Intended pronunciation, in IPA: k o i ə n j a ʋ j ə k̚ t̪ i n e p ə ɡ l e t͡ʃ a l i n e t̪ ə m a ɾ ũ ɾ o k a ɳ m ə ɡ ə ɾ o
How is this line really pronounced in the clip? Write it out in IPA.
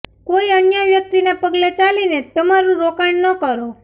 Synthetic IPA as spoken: k o i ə n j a ʋ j ə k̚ t̪ i n e p ə ɡ l e t͡ʃ a l i n e t̪ ə m a ɾ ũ ɾ o k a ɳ n ə k ə ɾ o